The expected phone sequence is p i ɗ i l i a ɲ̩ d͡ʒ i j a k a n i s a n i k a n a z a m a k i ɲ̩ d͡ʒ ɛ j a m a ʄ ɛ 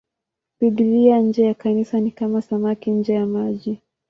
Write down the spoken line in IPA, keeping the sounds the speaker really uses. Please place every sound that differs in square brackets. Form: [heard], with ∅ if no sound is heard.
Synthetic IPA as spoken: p i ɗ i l i a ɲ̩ d͡ʒ [ɛ] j a k a n i s a n i k a [m] a [s] a m a k i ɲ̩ d͡ʒ ɛ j a m a ʄ [i]